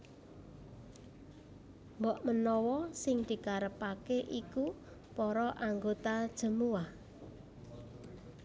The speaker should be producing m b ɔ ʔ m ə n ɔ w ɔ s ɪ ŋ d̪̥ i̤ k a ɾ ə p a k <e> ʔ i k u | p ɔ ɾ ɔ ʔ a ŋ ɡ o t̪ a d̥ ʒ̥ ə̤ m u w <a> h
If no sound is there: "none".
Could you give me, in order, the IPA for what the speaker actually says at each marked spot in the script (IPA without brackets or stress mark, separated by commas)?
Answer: e, a